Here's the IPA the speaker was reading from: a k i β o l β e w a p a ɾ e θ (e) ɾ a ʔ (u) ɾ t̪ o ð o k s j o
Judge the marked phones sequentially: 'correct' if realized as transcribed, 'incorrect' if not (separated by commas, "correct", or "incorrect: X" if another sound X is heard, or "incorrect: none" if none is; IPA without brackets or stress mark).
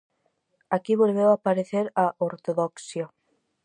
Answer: correct, incorrect: o